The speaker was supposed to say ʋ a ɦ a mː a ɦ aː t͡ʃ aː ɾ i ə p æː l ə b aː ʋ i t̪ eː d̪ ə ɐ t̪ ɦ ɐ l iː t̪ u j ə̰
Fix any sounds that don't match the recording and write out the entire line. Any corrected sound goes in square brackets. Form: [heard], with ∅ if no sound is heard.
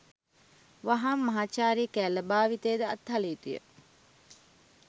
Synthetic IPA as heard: ʋ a ɦ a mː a ɦ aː t͡ʃ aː ɾ i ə [k] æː l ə b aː ʋ i t̪ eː d̪ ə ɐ t̪ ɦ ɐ l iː t̪ u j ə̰